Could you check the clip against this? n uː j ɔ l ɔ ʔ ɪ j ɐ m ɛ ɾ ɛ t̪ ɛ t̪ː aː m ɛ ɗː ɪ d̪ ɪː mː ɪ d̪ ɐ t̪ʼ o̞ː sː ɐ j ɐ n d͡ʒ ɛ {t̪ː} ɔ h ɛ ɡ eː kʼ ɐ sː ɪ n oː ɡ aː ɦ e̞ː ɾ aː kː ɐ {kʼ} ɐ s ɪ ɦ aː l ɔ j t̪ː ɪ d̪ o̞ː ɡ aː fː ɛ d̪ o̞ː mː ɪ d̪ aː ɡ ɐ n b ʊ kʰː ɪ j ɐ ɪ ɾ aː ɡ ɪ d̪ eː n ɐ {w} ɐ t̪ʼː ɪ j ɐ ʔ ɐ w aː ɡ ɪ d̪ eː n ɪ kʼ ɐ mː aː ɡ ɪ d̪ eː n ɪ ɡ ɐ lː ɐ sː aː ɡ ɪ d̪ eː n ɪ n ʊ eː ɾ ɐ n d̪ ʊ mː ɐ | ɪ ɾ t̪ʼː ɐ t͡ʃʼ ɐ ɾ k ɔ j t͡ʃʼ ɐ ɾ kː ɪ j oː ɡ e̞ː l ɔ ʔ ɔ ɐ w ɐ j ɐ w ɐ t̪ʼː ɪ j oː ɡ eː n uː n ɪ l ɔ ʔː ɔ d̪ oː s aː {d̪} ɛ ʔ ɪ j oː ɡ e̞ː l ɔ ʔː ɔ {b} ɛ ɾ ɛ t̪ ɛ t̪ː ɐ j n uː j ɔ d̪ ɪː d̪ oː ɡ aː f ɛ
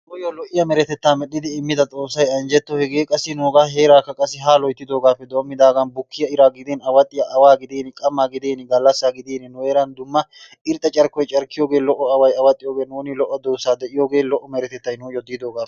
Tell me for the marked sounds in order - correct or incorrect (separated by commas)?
correct, correct, correct, correct, incorrect